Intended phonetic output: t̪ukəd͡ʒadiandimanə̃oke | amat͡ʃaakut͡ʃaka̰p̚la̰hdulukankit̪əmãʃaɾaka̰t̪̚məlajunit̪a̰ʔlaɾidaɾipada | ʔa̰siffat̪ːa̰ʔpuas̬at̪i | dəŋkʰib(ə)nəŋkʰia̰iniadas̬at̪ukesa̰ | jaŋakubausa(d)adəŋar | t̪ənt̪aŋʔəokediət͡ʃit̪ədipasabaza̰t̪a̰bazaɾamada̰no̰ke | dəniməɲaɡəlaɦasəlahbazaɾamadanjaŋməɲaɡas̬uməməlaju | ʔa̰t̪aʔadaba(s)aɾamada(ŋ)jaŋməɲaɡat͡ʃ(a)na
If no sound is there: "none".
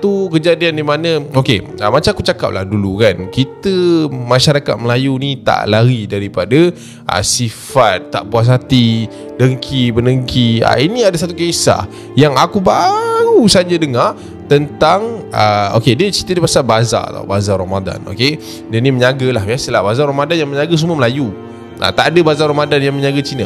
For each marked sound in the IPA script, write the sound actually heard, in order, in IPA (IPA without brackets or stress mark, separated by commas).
ə, d͡ʒ, z, n, i